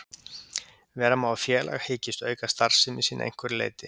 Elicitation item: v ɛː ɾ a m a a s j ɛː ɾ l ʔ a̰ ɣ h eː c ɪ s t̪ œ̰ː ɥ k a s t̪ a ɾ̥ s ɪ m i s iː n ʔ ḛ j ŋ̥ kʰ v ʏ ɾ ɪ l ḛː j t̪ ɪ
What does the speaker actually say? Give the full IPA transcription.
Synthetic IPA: v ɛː ɾ a m a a f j ɛː l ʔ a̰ ɣ h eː c ɪ s t̪ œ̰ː ɥ k a s t̪ a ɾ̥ s ɪ m i s iː n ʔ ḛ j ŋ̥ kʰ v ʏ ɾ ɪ l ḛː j t̪ ɪ

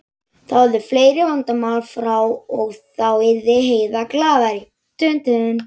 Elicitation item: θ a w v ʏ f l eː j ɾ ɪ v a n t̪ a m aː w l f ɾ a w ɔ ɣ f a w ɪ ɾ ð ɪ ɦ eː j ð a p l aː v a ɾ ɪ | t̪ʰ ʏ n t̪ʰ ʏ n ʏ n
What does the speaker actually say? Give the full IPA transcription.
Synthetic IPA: θ a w ð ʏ f l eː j ɾ ɪ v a n t̪ a m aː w l f ɾ a w ɔ ɣ θ a w ɪ ɾ ð ɪ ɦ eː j ð a k l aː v a ɾ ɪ | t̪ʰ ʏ n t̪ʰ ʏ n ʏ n

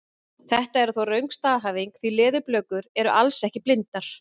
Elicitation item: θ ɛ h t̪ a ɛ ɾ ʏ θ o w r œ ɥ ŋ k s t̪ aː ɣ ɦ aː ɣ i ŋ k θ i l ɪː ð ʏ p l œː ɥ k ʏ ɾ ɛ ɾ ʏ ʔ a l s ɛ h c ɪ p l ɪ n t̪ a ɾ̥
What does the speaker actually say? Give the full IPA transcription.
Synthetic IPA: θ ɛ h t̪ a ɛ ɾ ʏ θ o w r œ ɥ ŋ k s t̪ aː ð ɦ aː v i ŋ k θ i l ɪː ð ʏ p l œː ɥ k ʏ ɾ ɛ ɾ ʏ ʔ a l s ɛ h c ɪ p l ɪ n t̪ a ɾ̥

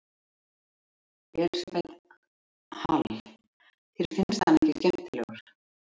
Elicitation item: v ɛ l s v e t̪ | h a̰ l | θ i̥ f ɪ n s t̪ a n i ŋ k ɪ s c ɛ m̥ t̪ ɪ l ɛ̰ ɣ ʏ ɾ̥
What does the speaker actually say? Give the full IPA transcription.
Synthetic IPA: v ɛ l s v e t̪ | h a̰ l | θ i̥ f ɪ n s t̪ a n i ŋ c ɪ s c ɛ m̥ t̪ ɪ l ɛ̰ ɣ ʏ ɾ̥

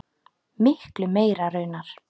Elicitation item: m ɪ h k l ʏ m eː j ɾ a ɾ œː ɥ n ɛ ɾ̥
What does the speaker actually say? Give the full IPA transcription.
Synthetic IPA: m ɪ h k l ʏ m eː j ɾ a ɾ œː ɥ n a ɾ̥

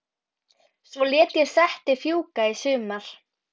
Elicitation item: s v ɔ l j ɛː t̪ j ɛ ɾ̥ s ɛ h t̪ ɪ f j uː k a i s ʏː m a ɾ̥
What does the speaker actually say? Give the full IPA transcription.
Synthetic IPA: s v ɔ l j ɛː t̪ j ɛ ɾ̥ s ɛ h t̪ ɪ f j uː k a i s ʏː m a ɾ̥

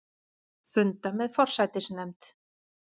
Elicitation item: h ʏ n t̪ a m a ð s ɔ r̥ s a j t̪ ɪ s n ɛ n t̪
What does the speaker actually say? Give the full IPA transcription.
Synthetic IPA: f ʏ n t̪ a m ɛ ð f ɔ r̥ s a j t̪ ɪ s n ɛ m t̪

